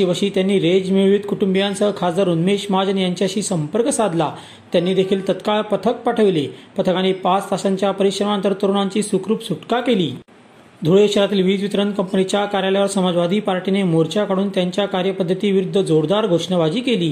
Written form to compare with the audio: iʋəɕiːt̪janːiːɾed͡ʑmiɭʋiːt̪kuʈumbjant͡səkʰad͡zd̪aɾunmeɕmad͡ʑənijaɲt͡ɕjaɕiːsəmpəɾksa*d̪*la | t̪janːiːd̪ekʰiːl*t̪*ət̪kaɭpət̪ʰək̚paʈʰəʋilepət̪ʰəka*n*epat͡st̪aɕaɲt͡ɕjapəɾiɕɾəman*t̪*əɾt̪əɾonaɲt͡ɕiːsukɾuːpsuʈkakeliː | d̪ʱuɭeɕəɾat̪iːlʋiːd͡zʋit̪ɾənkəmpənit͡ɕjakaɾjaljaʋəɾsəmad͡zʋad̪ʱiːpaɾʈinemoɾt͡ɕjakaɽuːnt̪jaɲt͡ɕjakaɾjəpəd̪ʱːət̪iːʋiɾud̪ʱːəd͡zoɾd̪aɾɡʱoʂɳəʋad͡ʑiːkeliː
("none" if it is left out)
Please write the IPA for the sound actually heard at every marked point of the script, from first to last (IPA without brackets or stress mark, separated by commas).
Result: d̪, t̪, n, t̪